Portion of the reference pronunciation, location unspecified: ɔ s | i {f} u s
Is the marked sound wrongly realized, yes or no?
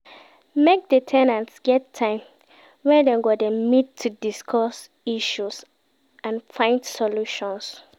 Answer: yes